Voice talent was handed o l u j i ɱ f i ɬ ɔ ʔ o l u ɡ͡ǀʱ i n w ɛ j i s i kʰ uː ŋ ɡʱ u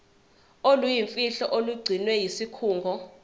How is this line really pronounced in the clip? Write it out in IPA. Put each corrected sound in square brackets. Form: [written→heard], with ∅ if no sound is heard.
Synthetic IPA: o l u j i ɱ f i ɬ ɔ ʔ o l u ɡ͡ǀʱ i n w ɛ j i s i kʰ uː ŋ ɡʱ [u→ɔ]